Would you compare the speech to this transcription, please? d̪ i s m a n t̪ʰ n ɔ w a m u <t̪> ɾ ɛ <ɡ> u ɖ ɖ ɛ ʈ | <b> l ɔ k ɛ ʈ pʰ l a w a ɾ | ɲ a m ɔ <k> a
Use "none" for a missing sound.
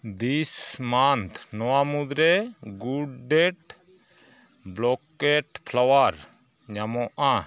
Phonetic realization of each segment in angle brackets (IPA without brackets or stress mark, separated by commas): d̪, ɡ, b, ʔ